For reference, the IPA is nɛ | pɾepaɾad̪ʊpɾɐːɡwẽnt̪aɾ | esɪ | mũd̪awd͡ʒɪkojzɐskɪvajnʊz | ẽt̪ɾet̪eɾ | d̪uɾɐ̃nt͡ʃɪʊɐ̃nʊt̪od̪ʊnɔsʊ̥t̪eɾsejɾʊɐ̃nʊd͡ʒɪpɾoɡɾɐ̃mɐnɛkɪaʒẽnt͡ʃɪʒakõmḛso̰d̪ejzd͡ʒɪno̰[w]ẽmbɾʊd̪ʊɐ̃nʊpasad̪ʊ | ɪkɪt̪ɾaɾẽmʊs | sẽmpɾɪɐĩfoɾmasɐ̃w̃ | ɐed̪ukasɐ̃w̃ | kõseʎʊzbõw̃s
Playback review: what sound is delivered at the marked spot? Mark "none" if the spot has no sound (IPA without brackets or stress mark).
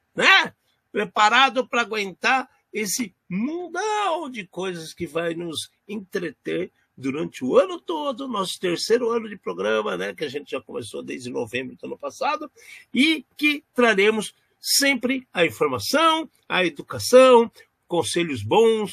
v